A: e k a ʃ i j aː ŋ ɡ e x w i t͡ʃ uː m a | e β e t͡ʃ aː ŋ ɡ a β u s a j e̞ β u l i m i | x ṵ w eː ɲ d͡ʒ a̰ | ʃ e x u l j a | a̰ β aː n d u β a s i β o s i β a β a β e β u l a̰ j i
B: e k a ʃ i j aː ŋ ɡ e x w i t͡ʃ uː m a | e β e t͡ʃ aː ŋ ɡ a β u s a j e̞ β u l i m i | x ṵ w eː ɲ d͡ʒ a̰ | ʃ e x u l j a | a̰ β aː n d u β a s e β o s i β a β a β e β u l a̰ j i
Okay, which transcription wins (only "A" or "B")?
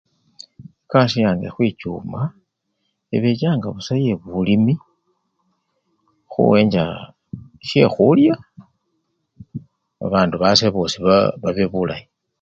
B